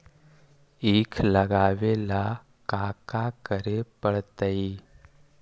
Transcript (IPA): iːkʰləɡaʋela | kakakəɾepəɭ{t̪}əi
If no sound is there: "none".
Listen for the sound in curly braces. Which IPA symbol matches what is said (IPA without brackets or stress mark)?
t̪